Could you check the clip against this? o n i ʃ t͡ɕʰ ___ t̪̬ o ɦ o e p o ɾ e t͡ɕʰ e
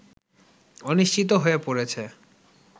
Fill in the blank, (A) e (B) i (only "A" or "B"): B